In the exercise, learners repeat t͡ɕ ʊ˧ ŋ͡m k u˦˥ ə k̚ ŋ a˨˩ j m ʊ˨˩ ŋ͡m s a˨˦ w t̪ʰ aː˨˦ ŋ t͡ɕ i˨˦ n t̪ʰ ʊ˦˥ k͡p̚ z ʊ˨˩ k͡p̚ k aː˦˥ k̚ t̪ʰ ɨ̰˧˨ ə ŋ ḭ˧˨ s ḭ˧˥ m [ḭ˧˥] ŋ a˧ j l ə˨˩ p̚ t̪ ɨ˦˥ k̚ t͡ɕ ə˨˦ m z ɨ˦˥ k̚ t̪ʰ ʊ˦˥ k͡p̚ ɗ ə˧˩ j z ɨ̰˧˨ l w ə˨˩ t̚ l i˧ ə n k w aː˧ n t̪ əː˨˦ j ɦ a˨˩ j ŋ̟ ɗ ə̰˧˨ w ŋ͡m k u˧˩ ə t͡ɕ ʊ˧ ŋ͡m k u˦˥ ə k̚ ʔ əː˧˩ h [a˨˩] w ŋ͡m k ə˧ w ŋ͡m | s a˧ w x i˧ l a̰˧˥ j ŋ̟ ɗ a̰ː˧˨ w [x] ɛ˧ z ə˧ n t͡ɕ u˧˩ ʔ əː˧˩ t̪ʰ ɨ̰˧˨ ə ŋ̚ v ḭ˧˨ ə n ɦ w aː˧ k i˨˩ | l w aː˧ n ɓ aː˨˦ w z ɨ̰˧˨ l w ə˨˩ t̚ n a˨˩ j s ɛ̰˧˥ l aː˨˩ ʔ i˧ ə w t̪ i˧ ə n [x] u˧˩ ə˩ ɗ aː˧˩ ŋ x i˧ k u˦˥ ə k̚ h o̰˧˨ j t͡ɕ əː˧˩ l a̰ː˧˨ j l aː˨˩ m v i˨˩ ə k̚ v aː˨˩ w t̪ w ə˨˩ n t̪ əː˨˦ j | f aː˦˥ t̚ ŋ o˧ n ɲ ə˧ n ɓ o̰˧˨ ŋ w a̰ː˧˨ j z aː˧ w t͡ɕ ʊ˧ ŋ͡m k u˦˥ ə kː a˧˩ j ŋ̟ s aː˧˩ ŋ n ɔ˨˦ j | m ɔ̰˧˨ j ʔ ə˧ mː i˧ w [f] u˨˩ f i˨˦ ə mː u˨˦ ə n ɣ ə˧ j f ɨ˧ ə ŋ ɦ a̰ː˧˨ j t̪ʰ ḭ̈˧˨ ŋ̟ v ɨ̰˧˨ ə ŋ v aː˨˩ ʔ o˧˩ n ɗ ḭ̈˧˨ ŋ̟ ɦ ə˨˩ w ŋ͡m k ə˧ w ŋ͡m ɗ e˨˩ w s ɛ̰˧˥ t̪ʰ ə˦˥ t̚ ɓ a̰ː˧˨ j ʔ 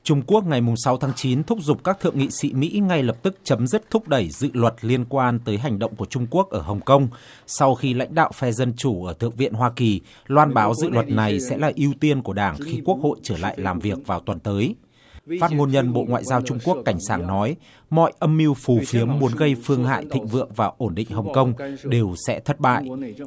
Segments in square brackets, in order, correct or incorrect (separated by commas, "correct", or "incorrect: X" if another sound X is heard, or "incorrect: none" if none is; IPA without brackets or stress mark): correct, incorrect: ə˨˩, incorrect: f, incorrect: k, correct